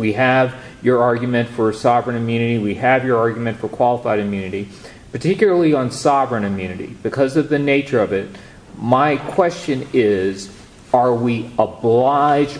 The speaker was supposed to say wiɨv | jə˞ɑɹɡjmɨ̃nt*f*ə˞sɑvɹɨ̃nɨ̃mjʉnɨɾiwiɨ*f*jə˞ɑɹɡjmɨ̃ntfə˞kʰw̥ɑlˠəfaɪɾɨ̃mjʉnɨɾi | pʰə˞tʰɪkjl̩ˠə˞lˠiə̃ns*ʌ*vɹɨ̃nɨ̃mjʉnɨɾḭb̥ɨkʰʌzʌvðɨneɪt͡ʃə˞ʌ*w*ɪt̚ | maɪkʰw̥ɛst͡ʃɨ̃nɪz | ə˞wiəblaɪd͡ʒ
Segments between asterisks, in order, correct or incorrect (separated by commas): correct, incorrect, incorrect, incorrect